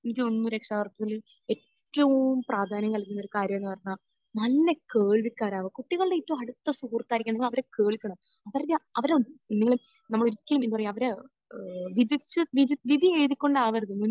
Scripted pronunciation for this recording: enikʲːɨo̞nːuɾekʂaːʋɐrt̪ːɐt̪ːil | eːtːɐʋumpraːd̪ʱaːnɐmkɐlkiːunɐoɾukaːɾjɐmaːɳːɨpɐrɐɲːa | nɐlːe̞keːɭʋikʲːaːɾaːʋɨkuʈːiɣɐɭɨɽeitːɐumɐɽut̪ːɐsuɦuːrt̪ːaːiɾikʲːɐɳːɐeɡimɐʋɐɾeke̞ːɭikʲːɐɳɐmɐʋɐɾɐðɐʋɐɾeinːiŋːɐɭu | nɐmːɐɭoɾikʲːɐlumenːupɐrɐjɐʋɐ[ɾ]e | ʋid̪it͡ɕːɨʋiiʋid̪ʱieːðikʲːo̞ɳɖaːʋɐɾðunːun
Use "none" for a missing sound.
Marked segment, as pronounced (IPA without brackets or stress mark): ɾ